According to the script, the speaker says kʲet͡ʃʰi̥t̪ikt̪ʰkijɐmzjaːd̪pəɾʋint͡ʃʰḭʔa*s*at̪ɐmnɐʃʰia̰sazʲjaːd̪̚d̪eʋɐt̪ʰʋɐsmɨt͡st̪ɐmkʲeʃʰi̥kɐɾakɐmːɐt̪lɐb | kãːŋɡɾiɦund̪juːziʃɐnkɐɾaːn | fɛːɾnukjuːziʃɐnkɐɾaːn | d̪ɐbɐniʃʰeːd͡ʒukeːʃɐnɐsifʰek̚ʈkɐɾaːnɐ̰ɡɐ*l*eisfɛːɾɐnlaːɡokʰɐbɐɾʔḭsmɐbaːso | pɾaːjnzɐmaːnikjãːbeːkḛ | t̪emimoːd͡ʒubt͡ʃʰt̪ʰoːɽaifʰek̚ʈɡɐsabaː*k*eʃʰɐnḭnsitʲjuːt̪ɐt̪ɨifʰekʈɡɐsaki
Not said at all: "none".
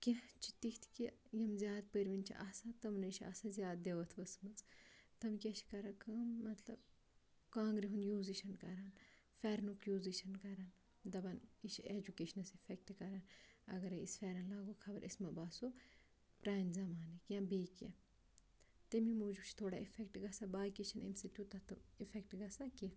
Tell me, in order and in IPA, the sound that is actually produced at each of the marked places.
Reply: s, ɾ, k

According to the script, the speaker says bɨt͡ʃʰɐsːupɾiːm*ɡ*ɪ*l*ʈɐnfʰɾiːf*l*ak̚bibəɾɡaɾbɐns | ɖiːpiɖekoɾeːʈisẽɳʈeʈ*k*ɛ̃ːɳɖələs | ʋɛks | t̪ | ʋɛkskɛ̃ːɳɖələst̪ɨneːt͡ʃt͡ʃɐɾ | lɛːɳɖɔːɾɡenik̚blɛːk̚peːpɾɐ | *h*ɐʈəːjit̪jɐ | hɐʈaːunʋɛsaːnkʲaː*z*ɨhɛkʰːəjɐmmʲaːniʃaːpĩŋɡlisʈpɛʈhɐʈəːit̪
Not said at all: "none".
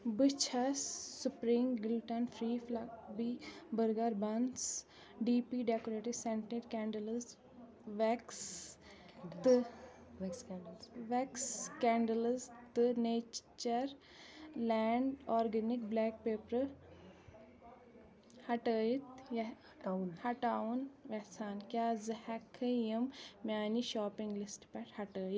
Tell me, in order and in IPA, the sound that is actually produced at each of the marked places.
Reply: ɡ, l, l, k, h, z

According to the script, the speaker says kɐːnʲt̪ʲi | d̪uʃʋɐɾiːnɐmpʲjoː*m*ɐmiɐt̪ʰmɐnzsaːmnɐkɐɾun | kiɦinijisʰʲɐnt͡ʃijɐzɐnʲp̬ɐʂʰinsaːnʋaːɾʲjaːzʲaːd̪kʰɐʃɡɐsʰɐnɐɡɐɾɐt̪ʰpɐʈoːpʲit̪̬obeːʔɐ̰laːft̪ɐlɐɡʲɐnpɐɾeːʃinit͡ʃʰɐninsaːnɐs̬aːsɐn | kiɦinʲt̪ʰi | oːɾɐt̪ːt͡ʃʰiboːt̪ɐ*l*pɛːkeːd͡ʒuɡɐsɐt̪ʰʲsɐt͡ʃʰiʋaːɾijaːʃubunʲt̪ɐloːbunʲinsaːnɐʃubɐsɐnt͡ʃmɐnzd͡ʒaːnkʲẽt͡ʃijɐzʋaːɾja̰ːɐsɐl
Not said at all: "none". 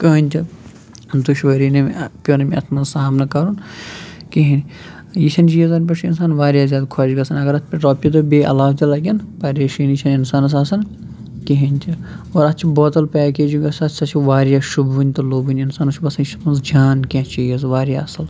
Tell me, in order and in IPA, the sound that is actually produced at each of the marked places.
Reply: n, l

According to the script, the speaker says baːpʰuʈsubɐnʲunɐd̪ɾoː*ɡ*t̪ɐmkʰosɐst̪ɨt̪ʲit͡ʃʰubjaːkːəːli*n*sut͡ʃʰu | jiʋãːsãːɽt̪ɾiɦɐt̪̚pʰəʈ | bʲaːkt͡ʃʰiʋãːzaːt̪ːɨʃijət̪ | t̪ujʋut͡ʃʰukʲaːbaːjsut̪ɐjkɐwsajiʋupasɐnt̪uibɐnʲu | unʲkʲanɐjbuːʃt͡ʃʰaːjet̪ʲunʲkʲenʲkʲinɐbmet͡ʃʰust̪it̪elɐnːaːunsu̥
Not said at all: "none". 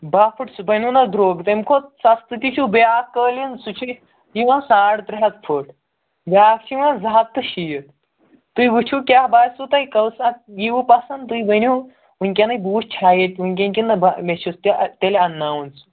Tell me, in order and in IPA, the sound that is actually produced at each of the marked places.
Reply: ɡ, n

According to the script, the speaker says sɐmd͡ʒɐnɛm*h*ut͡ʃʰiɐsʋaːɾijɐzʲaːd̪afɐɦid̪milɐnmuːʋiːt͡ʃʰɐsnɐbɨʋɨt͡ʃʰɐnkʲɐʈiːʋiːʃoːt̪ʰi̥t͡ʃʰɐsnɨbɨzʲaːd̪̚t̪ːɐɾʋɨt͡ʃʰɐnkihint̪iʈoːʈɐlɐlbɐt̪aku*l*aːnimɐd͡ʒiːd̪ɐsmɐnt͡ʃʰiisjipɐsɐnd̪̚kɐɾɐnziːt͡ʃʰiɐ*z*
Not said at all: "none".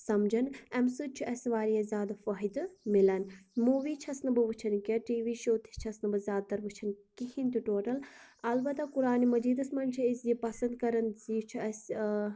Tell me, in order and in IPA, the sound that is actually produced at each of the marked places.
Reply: s, ɾ, s

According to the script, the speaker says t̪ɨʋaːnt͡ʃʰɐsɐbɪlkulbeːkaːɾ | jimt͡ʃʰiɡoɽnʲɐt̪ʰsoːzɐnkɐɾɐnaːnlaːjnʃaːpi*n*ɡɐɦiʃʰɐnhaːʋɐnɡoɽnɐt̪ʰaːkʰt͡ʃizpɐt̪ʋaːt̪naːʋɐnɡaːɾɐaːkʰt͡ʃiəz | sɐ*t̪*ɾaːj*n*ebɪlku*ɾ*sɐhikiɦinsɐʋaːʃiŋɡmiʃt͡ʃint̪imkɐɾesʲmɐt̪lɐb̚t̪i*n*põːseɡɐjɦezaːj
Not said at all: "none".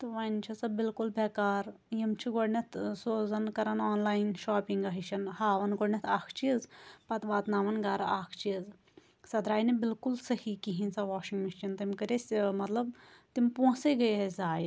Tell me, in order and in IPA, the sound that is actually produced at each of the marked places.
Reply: ŋ, d̪, n, l, m

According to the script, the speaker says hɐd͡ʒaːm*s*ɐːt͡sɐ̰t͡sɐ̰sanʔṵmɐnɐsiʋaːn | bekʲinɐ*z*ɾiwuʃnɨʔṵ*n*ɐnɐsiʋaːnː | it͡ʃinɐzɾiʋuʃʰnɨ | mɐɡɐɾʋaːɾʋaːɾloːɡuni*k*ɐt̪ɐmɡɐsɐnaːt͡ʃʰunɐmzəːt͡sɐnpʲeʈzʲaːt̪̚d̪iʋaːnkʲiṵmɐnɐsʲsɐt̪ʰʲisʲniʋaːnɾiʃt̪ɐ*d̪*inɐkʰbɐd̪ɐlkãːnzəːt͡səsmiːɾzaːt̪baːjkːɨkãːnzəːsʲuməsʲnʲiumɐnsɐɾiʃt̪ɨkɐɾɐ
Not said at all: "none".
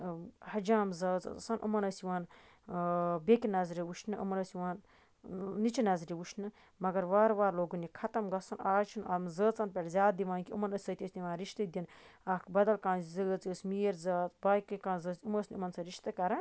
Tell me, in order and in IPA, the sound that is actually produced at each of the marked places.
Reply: z, z, m, kʰ, d̪

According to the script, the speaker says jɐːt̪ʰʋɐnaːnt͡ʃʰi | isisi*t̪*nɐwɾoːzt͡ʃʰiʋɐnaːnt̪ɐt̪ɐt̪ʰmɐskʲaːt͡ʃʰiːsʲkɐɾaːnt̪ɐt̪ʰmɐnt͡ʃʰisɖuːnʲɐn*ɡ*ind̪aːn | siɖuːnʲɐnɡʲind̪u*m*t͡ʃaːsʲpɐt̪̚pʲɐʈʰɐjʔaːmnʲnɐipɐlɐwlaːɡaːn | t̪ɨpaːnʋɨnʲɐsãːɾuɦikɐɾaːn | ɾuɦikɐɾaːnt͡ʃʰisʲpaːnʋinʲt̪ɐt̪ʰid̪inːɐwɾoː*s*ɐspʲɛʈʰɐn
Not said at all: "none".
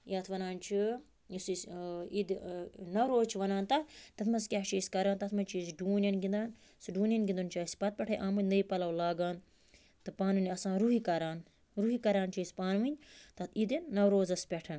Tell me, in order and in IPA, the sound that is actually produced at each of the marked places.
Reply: d̪, ɡ, n, z

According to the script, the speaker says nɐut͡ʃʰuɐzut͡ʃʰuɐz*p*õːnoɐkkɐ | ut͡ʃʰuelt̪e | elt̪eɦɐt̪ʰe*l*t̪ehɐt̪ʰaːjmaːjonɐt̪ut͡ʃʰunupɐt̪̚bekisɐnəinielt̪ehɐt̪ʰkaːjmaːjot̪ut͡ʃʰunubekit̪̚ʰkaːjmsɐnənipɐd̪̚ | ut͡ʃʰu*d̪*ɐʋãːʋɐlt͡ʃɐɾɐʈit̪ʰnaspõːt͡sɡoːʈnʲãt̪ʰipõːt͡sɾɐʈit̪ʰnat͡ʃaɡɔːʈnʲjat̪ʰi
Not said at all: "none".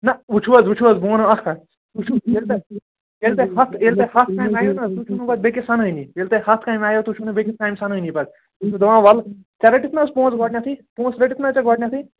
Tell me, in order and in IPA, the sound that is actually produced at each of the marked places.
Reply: b, l, d̪

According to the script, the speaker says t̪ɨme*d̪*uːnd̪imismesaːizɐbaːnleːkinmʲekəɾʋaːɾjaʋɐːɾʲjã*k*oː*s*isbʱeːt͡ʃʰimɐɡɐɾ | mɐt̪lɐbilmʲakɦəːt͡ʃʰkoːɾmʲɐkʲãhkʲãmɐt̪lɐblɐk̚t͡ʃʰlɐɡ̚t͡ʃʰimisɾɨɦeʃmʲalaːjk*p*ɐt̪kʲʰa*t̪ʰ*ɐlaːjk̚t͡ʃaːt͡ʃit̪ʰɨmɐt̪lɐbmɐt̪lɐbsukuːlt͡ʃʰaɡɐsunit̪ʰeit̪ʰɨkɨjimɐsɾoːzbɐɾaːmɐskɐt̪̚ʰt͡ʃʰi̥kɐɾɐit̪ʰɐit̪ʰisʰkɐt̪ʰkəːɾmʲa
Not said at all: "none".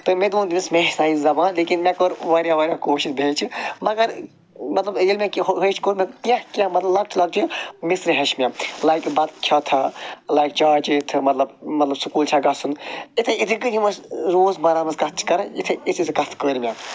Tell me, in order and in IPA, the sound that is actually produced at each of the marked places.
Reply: d̪, k, ʃ, b, t̪ʰ

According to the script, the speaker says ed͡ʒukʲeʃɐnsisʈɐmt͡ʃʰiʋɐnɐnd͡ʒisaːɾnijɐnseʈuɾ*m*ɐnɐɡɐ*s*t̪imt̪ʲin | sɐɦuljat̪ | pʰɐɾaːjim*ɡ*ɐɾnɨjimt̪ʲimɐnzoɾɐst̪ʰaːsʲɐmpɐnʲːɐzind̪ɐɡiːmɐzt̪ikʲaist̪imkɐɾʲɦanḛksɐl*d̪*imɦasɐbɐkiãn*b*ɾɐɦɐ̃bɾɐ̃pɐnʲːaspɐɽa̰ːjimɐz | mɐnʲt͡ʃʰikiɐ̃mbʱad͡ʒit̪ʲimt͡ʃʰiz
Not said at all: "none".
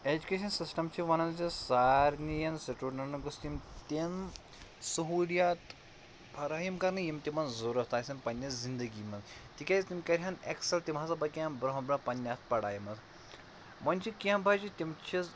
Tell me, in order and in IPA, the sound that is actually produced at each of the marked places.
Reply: n, s, k, t̪, b

